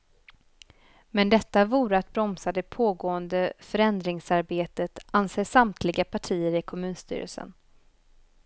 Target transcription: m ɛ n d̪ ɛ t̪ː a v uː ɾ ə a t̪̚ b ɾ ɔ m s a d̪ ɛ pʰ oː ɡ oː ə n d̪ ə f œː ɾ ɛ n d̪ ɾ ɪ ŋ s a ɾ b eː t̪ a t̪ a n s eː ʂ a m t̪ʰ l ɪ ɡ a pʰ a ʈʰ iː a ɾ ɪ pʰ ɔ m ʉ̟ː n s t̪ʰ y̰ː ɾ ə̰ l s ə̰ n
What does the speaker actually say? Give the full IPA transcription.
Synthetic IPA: m ɛ n d̪ ɛ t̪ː a v uː ɾ ə a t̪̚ b ɾ ɔ m s a d̪ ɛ pʰ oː ɡ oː ə n d̪ ə f œ ɾ ɛ n d̪ ɾ ɪ ŋ s a ɾ b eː t̪ ə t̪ a n s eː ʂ a m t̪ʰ l ɪ ɡ a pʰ a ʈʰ iː ə ɾ ɪ kʰ ɔ m ʉ̟ː n s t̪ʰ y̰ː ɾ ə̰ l s ə̰ n